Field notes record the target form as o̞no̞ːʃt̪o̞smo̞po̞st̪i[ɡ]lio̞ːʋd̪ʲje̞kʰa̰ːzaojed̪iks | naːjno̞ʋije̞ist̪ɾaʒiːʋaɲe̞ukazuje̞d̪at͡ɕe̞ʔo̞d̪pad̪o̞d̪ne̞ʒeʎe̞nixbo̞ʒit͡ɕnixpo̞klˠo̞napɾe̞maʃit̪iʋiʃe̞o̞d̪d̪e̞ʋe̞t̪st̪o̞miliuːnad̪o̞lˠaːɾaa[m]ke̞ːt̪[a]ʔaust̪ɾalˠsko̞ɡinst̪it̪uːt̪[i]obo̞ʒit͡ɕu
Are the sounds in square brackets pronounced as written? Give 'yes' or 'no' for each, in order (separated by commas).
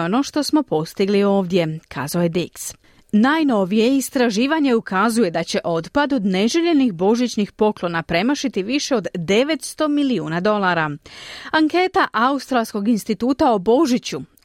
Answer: yes, no, yes, no